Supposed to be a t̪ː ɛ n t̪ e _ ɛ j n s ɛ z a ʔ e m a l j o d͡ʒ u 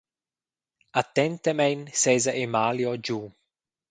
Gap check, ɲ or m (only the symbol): m